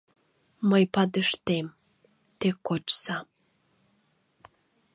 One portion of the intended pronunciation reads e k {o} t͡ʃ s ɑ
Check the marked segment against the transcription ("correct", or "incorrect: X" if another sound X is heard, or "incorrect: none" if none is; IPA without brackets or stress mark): correct